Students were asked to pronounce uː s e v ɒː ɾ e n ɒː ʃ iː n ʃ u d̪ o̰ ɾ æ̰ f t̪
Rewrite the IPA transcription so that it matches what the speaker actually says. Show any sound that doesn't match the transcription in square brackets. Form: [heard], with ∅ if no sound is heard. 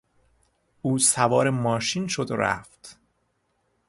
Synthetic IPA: uː s [æ] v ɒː ɾ e [m] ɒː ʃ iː n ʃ [o] d̪ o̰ ɾ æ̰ f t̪